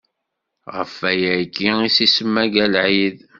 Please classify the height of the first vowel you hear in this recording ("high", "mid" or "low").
mid